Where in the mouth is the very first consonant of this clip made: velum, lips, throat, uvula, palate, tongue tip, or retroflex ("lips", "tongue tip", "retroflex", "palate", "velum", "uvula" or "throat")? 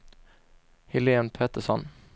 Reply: throat